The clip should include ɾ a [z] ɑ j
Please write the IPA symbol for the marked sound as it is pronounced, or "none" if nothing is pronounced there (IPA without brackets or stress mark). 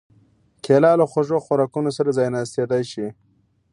z